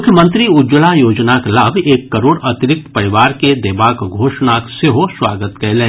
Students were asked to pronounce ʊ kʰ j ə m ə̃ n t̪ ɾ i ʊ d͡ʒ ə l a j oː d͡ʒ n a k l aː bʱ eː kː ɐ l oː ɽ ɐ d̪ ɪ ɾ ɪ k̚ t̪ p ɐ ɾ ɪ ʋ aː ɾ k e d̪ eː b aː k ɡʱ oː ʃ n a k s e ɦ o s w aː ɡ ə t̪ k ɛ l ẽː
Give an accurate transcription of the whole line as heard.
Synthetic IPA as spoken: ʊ kʰ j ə m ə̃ n t̪ ɾ i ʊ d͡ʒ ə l a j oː d͡ʒ n a k l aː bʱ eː kː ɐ ɾ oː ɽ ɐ t̪ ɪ ɾ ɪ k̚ t̪ p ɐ ɾ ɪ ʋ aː ɾ k e d̪ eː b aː k ɡʱ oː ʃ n a k s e ɦ o s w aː ɡ ə t̪ k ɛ l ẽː